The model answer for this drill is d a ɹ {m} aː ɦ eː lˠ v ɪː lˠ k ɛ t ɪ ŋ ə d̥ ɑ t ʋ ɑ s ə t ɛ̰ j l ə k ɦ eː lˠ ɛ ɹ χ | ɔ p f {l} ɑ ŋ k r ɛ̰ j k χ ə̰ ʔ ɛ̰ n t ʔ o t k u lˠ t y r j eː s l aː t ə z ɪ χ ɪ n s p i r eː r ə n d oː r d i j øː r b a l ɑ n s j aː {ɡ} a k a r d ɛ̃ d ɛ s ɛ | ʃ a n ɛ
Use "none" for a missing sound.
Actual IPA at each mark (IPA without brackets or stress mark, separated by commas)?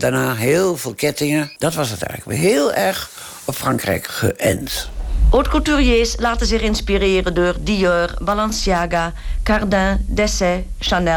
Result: n, r, ɡ